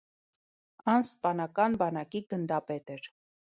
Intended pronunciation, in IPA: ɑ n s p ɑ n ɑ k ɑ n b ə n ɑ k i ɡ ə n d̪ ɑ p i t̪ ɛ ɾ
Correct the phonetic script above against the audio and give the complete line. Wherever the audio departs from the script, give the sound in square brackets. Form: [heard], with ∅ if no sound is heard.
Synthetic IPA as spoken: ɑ n s p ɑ n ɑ k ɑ n b [ɑ] n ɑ k i ɡ ə n d̪ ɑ p [ɛ] t̪ ɛ ɾ